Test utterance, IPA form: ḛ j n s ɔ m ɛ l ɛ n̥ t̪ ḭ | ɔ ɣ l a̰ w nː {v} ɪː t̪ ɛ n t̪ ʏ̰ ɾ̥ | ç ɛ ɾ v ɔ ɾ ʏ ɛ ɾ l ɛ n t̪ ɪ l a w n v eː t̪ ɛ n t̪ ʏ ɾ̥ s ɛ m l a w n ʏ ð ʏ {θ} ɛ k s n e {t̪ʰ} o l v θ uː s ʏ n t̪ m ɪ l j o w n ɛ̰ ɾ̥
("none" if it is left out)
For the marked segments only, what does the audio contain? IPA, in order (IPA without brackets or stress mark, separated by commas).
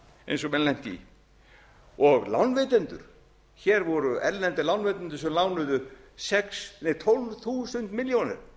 v, s, t̪ʰ